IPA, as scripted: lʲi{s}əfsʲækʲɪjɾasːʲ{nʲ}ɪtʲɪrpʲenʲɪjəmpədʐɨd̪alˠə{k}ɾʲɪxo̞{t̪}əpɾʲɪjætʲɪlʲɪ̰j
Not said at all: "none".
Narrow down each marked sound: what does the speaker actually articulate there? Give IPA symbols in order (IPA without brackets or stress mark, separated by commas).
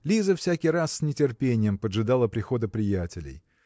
z, nʲ, p, d̪